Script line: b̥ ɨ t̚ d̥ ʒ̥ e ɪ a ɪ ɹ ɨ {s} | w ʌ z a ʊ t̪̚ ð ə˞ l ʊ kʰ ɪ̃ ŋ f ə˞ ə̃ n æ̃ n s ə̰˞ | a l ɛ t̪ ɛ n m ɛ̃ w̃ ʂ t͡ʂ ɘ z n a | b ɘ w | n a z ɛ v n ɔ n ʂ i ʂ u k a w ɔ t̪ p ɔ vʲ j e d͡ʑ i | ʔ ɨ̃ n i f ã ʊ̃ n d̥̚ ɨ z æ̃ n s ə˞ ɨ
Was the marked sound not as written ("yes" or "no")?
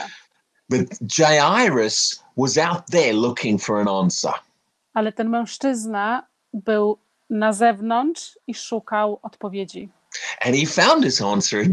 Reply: no